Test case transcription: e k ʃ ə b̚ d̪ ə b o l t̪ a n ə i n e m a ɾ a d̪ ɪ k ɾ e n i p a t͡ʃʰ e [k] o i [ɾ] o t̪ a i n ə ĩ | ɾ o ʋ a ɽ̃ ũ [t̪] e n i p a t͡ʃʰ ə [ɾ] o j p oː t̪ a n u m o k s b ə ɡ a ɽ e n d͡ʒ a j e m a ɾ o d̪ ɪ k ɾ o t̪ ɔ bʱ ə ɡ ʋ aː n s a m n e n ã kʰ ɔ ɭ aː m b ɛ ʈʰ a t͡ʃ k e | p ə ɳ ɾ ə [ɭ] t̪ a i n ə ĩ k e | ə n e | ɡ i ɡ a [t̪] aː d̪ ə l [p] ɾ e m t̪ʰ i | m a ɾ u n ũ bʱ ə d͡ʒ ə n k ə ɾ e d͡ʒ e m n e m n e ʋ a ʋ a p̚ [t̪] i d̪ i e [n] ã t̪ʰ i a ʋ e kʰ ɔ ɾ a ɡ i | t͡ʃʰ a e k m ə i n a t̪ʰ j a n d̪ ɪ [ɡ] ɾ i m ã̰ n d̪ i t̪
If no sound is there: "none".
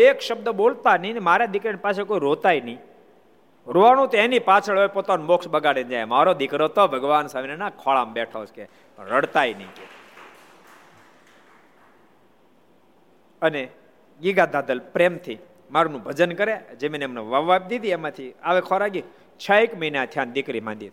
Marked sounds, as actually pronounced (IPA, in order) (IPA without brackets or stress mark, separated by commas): k, ɾ, t̪, ɭ, ɽ, d̪, p, d̪, m, k